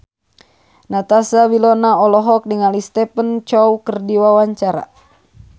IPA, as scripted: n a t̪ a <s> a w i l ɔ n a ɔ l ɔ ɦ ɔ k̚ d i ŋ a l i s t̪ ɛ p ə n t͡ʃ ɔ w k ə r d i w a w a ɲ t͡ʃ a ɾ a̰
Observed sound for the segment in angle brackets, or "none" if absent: s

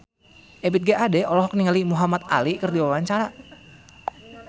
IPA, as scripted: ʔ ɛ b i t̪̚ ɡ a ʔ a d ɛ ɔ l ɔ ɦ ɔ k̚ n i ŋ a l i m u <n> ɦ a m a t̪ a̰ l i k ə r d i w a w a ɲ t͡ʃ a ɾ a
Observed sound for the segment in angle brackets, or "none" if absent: none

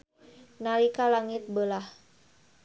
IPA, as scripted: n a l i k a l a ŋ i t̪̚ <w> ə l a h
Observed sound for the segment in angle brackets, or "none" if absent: b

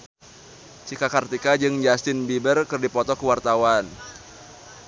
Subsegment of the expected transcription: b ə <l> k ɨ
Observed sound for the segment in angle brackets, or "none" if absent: r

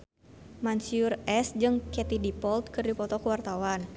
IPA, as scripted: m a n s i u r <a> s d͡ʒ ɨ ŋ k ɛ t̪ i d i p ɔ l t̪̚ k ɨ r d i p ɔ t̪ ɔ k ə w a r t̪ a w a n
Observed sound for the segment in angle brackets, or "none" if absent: ɛ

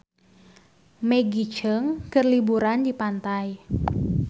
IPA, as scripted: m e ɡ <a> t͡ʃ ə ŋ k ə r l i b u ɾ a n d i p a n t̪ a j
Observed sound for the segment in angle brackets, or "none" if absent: i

